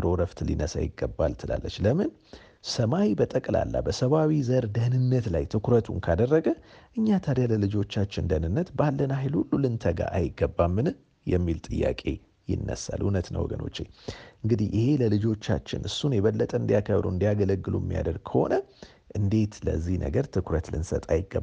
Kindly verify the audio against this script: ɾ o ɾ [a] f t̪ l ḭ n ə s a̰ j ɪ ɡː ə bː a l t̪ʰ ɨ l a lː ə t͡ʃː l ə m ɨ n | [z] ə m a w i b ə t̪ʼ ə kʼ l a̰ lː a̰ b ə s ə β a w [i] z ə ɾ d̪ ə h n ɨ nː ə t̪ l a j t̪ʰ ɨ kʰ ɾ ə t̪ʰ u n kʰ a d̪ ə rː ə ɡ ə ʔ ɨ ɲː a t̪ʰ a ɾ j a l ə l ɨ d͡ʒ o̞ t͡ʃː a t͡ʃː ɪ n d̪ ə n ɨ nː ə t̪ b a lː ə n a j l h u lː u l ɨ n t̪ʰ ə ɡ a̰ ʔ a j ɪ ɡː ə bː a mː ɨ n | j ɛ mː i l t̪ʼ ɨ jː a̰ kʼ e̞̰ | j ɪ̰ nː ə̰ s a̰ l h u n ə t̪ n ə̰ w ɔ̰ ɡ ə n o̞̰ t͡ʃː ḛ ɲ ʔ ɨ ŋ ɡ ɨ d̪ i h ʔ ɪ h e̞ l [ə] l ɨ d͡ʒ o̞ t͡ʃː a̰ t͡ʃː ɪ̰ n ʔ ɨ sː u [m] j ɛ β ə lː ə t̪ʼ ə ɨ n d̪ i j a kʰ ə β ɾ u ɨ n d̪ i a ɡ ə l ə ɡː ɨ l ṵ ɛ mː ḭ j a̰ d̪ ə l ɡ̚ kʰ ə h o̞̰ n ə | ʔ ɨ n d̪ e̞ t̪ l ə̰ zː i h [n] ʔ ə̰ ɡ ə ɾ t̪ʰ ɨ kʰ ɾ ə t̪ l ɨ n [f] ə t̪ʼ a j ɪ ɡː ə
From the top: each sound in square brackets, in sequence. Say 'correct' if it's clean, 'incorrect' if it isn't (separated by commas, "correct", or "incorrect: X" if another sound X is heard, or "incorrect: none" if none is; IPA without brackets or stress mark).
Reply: incorrect: ə, incorrect: s, correct, correct, incorrect: n, correct, incorrect: s